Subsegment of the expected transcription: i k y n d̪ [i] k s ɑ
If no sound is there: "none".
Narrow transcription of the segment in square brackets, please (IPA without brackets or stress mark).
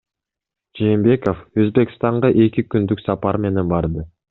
y